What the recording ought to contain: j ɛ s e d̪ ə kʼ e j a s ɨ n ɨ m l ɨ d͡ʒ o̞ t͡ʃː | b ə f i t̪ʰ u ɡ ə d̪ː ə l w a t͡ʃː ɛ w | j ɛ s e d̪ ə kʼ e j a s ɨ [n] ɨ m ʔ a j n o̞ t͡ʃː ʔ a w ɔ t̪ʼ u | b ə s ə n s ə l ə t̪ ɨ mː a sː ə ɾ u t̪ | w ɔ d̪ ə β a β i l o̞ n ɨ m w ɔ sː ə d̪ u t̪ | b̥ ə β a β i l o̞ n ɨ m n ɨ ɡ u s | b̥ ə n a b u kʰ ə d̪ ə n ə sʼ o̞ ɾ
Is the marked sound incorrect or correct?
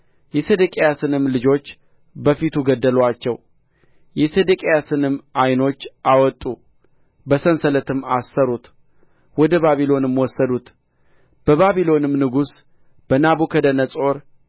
correct